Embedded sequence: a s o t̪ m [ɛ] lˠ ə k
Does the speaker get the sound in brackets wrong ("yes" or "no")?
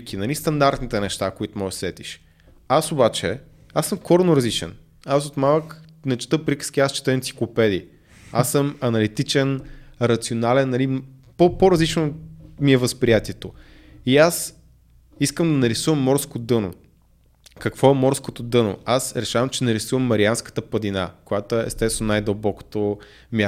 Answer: yes